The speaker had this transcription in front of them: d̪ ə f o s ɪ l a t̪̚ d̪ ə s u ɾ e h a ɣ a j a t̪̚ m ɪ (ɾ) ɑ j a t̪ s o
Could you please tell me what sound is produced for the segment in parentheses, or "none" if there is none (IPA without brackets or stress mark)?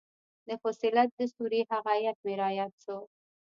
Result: ɾ